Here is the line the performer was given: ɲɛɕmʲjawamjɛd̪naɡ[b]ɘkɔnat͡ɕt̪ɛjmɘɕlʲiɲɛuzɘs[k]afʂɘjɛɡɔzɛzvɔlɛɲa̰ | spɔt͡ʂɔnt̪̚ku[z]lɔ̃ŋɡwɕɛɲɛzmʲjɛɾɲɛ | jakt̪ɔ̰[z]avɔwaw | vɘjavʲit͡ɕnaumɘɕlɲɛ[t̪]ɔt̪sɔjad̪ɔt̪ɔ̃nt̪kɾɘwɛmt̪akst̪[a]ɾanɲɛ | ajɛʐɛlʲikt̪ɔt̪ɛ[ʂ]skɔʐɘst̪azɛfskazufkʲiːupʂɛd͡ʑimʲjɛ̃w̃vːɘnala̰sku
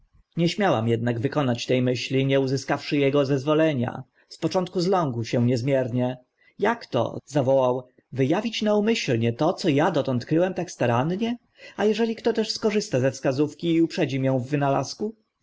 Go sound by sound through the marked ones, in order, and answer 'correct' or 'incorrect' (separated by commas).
incorrect, correct, correct, correct, correct, correct, correct